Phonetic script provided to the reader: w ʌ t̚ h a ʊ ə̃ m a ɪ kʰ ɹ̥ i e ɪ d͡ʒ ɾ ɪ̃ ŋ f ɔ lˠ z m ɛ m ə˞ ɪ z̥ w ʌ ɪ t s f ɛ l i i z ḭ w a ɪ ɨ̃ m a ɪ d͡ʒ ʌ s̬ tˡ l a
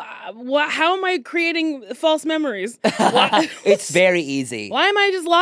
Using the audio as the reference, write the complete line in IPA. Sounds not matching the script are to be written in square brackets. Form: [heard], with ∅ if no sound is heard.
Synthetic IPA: w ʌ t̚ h a ʊ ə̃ m a ɪ kʰ ɹ̥ i e ɪ [∅] ɾ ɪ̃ ŋ f ɔ lˠ [s] m ɛ m ə˞ [i] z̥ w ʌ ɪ t s [v] ɛ [ɹ] i i z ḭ w a ɪ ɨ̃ m a ɪ d͡ʒ ʌ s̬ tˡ l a